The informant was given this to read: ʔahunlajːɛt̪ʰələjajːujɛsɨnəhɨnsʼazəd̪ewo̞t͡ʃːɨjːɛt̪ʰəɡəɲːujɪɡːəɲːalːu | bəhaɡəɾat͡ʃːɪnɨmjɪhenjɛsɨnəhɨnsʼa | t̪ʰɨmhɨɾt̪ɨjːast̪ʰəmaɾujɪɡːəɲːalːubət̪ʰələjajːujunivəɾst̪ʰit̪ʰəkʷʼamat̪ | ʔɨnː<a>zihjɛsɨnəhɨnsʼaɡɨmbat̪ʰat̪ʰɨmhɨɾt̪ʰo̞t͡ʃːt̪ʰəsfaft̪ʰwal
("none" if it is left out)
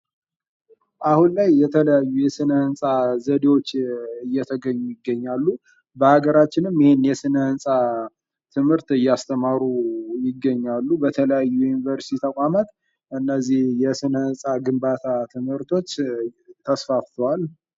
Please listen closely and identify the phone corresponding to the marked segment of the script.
ə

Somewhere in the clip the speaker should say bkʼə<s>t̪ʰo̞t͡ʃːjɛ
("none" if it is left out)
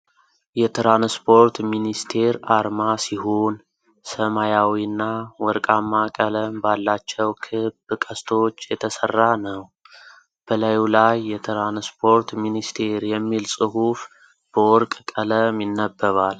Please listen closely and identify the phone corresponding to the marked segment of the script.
s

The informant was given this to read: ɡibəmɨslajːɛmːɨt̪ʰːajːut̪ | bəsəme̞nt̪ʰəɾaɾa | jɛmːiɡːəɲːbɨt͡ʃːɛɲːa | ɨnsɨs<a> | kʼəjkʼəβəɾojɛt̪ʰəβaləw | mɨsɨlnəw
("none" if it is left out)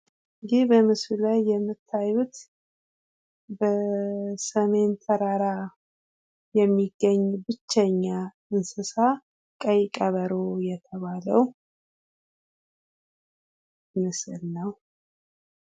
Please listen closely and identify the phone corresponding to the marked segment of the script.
a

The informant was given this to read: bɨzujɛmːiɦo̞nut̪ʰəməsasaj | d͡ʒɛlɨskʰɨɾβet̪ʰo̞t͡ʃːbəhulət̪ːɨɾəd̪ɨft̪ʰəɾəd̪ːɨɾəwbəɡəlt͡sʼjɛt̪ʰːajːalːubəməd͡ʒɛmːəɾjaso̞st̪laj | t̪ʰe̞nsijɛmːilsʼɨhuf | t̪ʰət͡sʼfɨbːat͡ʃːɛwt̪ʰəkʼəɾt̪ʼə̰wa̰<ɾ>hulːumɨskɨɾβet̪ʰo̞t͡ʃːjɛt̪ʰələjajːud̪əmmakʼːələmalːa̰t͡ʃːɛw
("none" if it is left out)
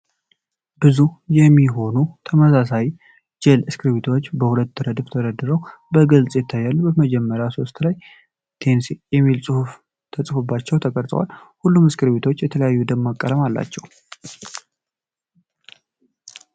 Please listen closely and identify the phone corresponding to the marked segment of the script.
l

